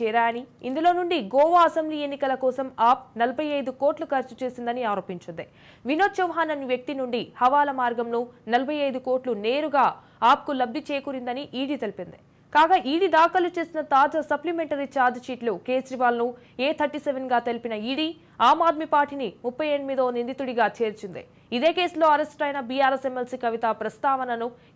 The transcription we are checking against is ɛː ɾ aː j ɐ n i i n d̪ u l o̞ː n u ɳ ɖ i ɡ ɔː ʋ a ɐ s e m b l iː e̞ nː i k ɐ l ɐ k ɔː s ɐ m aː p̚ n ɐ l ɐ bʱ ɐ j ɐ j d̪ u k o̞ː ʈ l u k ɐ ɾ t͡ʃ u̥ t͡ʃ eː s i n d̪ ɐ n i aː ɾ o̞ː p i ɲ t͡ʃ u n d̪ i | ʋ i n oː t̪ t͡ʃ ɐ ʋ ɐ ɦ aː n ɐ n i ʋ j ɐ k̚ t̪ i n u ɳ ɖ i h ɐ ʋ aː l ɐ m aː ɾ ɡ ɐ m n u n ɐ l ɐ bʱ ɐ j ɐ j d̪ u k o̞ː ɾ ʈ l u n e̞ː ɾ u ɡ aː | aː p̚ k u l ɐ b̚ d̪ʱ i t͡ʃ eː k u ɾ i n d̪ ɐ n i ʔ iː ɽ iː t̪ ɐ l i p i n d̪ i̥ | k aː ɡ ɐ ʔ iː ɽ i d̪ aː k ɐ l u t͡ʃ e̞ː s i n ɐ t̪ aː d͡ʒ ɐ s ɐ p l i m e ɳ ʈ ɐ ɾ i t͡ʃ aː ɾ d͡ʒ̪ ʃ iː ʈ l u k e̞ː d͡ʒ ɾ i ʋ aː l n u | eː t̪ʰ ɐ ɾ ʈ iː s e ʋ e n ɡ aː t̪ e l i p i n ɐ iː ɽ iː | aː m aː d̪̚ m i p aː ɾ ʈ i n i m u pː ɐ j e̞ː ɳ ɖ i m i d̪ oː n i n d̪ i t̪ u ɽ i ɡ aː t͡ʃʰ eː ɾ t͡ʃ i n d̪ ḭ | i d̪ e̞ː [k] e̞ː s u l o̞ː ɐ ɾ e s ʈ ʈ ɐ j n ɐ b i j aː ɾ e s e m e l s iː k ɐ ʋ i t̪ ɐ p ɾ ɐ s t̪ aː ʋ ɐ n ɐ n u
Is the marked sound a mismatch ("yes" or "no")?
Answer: no